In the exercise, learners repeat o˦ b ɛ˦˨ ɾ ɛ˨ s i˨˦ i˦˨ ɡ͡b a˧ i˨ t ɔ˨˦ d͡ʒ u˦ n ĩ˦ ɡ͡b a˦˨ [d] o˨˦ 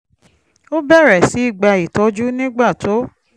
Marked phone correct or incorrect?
incorrect